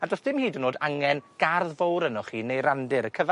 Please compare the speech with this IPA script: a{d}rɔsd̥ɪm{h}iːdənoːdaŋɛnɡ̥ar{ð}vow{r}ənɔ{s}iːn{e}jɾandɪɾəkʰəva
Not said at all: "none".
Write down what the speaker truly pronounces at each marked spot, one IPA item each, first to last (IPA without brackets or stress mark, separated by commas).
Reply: d, h, ð, ɾ, χ, e